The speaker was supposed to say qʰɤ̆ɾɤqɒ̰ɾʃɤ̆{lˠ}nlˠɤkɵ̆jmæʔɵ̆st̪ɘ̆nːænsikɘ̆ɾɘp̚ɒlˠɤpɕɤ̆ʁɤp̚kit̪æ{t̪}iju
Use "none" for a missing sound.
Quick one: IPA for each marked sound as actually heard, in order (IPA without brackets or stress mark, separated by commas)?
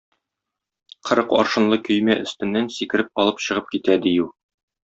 none, d̪